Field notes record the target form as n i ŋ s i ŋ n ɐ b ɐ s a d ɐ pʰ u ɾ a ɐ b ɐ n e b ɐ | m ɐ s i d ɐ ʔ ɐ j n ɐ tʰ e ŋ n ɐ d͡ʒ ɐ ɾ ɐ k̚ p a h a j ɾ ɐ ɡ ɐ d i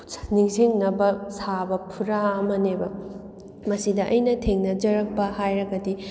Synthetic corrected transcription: n i ŋ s i ŋ n ɐ b ɐ s a b ɐ pʰ u ɾ a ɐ m ɐ n e b ɐ | m ɐ s i d ɐ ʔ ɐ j n ɐ tʰ e ŋ n ɐ d͡ʒ ɐ ɾ ɐ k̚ p ɐ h a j ɾ ɐ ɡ ɐ d i